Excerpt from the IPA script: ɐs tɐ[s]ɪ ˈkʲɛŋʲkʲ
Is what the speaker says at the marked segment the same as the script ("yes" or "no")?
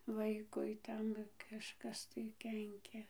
no